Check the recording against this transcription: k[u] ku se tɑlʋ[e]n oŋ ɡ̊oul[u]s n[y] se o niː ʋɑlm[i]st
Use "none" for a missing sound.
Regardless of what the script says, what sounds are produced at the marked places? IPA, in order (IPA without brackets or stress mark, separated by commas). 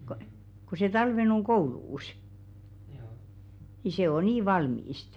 o, e, uː, i, iː